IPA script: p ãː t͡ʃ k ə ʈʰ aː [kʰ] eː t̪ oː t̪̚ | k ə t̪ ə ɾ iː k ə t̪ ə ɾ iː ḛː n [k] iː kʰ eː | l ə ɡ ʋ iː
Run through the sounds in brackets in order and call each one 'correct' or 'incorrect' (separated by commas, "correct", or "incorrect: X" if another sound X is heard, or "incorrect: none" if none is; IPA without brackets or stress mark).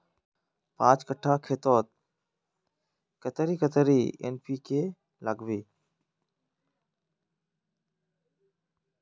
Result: correct, incorrect: p